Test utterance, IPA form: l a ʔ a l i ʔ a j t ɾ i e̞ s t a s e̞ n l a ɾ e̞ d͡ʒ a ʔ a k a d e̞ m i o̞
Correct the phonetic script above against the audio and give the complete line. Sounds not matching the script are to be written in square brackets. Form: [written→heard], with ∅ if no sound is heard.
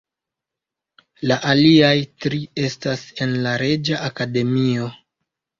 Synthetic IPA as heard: l a ʔ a l i [ʔ→∅] a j t ɾ i e̞ s t a s e̞ n l a ɾ e̞ d͡ʒ a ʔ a k a d e̞ m i o̞